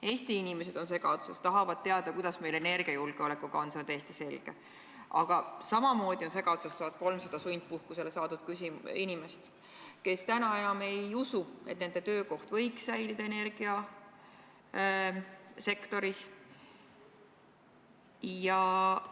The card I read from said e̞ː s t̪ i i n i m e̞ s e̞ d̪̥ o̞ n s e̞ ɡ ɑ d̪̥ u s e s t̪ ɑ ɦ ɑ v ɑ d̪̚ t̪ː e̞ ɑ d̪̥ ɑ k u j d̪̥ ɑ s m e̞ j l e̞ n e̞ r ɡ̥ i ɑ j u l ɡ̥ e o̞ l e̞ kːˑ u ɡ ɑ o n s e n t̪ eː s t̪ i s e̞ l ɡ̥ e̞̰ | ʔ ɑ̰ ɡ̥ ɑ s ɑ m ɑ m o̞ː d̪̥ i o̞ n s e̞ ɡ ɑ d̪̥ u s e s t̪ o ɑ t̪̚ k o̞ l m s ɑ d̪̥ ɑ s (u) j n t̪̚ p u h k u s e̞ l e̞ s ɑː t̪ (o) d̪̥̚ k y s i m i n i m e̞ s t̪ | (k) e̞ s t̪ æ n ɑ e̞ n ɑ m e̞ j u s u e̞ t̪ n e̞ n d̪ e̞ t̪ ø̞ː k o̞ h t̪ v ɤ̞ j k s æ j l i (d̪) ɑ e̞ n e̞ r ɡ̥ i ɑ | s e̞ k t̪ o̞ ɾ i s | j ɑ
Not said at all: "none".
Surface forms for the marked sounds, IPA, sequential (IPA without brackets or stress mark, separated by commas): u, u, k, d̪